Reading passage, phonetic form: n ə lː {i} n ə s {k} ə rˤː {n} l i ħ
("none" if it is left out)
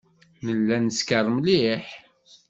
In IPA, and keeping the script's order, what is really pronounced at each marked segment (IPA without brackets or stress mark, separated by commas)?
æ, k, m